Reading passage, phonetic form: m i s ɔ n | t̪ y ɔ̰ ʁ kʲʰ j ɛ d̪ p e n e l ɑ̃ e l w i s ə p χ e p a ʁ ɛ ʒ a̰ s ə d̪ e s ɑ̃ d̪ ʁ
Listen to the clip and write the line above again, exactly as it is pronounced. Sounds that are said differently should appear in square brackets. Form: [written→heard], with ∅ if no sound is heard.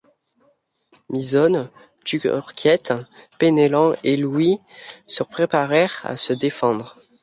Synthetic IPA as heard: m i [s→z] ɔ n | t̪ y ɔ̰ ʁ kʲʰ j ɛ [d̪→t̪] p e n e l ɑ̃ e l w i s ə p χ e p a ʁ ɛ [ʒ→ʁ] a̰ s ə d̪ e [s→f] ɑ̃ d̪ ʁ